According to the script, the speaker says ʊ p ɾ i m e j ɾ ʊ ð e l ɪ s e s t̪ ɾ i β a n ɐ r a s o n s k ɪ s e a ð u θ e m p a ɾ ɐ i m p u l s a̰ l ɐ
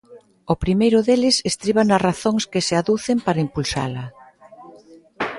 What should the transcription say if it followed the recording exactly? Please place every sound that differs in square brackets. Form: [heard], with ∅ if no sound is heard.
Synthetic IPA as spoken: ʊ p ɾ i m e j ɾ ʊ ð e l ɪ s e s t̪ ɾ i β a n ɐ r a [θ] o [ŋ] s k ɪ s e a ð u θ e m p a ɾ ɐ i m p u l s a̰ l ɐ